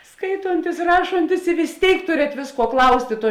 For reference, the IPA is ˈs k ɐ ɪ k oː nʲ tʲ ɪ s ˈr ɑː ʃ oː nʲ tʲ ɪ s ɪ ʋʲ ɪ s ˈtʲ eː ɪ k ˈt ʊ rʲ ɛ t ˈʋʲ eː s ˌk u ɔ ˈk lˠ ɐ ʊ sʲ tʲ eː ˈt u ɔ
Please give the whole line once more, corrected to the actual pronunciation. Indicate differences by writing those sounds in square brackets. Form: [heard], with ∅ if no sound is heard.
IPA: ˈs k ɐ ɪ [t] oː nʲ tʲ ɪ s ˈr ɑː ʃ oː nʲ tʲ ɪ s ɪ ʋʲ ɪ s ˈtʲ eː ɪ k ˈt ʊ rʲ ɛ t ˈʋʲ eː s ˌk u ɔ ˈk lˠ ɐ ʊ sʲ tʲ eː ˈt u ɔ